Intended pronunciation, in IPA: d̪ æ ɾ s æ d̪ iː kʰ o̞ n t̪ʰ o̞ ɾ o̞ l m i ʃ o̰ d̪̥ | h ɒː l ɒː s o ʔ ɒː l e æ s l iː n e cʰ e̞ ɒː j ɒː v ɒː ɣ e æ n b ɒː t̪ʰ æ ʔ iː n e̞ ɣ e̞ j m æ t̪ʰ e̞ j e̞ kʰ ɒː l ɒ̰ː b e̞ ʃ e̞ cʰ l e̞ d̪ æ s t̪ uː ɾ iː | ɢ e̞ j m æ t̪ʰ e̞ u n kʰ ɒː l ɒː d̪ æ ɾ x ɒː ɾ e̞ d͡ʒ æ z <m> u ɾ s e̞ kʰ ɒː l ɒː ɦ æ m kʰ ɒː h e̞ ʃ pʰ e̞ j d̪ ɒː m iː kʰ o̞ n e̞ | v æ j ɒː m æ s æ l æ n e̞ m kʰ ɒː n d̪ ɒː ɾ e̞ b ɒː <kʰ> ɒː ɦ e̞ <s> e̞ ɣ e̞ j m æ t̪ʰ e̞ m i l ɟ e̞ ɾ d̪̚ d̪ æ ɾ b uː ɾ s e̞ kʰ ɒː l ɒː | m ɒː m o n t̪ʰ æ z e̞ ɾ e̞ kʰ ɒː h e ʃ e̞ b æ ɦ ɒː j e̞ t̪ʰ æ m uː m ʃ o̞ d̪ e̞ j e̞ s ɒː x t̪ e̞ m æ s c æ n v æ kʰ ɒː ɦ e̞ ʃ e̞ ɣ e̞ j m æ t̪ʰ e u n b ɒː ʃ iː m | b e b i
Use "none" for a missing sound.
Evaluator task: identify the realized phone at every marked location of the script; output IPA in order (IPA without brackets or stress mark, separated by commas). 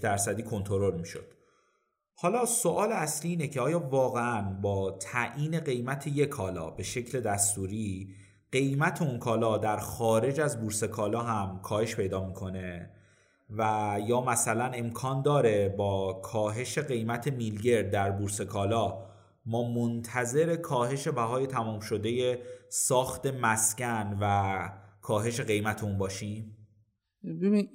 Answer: b, kʰ, ʃ